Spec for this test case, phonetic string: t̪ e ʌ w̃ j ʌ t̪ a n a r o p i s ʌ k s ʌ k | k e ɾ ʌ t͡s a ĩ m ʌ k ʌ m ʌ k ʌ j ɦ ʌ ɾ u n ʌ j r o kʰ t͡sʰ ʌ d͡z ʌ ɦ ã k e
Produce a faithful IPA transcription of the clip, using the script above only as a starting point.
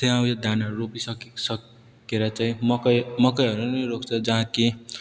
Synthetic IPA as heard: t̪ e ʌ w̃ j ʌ d̪ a n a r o p i s ʌ k s ʌ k | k e ɾ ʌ t͡s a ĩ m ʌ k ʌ m ʌ k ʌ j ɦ ʌ ɾ u n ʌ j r o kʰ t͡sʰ ʌ d͡z ʌ ɦ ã k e